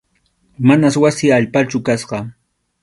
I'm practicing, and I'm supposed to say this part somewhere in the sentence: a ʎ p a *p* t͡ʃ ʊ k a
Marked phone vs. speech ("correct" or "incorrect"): incorrect